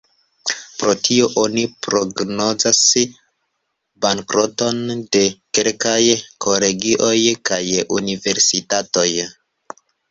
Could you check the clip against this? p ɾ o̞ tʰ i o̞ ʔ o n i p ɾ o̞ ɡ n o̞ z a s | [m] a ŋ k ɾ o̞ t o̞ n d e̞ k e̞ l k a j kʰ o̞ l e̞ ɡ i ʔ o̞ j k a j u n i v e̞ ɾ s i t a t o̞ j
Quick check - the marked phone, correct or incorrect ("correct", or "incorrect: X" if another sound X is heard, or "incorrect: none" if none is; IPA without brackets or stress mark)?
incorrect: b